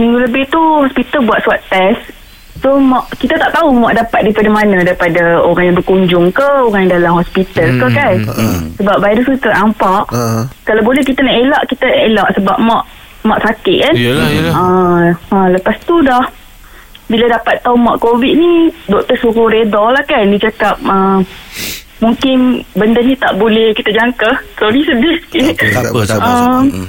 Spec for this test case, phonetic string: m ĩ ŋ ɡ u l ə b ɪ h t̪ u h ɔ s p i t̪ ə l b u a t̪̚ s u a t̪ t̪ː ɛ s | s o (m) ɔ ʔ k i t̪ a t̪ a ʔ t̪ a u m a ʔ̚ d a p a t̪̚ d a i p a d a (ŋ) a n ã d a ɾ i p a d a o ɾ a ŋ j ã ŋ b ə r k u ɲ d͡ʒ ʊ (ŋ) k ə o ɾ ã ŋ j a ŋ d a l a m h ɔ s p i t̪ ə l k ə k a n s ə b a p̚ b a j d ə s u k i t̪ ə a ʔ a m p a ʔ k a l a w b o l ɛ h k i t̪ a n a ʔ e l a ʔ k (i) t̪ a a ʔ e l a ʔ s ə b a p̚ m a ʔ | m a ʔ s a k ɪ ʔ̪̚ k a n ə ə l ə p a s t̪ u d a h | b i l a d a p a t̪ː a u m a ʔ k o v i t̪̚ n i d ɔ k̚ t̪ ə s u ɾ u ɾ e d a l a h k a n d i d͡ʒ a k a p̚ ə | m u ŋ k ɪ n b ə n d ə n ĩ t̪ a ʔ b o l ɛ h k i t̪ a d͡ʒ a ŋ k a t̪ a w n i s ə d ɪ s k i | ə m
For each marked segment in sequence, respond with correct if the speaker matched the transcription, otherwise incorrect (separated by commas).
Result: correct, incorrect, correct, correct